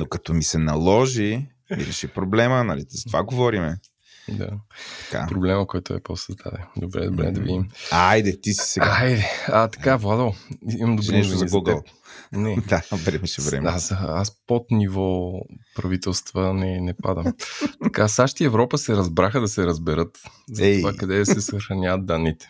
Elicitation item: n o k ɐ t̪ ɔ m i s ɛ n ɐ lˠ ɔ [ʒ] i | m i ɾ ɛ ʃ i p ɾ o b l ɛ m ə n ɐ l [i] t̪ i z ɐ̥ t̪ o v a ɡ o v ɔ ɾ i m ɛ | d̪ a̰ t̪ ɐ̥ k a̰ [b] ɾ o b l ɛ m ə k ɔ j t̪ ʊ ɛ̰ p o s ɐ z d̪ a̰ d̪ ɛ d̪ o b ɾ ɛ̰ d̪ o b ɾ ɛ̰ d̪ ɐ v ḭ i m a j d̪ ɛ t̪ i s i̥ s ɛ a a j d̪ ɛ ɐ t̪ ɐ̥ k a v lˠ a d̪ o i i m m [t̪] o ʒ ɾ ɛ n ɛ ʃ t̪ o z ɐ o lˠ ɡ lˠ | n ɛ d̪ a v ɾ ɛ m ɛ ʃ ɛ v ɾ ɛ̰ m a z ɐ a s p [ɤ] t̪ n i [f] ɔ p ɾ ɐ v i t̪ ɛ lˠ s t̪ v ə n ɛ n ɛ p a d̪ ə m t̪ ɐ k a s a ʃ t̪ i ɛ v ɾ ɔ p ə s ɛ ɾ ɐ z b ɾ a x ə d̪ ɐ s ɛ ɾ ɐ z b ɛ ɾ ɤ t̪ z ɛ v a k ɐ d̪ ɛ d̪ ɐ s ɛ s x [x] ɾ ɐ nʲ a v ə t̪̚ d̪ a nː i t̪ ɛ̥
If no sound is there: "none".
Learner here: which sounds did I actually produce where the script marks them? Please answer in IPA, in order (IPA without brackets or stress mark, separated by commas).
ʒ, i, p, d̪, o, v, x